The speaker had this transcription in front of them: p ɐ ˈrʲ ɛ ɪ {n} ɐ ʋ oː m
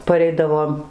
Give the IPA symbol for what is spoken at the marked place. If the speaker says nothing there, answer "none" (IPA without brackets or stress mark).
d